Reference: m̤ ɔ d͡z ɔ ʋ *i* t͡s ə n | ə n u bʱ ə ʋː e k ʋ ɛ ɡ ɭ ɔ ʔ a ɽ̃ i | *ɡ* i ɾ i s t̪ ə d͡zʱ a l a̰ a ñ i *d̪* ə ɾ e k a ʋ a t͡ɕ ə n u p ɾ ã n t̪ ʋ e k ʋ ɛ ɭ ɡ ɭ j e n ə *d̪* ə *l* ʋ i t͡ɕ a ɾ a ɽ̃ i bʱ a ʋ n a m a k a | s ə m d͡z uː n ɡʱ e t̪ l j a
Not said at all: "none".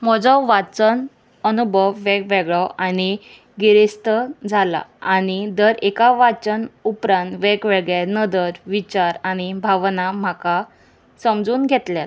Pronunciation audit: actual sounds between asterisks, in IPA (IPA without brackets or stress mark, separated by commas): a, ɡ, d̪, d̪, ɾ